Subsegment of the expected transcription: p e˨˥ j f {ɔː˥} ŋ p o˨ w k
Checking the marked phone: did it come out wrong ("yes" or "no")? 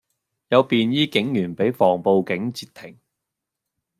yes